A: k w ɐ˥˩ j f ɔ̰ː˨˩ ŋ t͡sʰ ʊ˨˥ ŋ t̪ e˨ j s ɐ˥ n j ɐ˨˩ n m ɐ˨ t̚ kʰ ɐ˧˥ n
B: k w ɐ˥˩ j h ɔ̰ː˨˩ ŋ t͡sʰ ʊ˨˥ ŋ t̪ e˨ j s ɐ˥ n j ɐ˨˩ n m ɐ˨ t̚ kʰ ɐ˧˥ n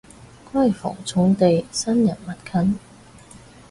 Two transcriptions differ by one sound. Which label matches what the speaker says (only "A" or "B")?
A